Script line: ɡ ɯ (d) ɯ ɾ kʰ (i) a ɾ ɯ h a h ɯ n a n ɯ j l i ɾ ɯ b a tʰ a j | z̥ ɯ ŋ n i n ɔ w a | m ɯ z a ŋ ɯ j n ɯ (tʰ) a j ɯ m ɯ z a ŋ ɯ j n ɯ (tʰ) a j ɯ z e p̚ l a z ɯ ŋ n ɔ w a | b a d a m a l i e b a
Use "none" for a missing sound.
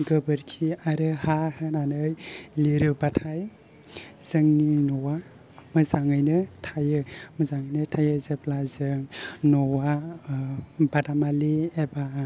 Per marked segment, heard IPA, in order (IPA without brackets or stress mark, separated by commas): b, i, tʰ, tʰ